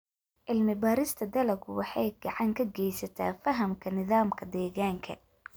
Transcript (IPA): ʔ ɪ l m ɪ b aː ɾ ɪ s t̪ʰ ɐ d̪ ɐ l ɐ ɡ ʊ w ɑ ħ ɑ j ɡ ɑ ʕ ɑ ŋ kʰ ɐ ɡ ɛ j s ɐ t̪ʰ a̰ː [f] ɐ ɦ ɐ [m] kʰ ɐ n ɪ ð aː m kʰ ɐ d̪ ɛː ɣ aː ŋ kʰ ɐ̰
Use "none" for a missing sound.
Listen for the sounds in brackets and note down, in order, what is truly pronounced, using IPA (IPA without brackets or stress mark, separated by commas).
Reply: f, m